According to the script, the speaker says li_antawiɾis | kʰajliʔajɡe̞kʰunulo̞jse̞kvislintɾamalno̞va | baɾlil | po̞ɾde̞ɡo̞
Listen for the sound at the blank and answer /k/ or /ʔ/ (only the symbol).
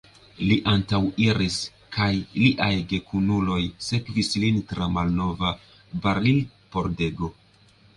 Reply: ʔ